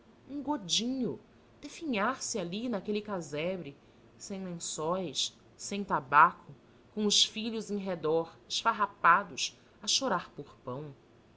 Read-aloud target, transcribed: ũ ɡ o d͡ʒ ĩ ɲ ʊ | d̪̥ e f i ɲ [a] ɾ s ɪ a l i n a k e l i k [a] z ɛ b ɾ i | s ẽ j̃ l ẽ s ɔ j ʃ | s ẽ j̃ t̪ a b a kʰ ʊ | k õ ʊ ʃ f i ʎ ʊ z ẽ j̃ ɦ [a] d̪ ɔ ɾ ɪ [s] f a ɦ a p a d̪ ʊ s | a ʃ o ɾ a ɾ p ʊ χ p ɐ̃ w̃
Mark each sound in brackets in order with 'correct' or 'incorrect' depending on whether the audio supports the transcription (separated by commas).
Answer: correct, correct, incorrect, incorrect